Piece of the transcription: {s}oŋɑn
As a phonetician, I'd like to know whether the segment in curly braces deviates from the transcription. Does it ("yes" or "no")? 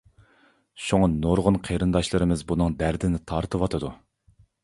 yes